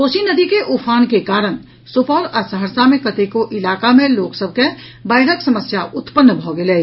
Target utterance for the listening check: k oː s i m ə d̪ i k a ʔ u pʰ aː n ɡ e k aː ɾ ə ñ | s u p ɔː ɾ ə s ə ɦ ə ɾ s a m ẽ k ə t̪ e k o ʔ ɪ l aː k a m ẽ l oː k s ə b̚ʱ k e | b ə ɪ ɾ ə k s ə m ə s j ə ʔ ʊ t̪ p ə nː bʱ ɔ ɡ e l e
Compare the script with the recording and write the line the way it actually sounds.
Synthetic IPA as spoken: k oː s i n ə d̪ i k e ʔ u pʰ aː n k e k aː ɾ ə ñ | s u p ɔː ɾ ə s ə ɦ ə ɾ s a m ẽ k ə t̪ e k o ʔ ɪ l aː k a m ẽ l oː k s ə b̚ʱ k e | b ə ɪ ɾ ə k s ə m ə s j a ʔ ʊ t̪ p ə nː bʱ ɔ ɡ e l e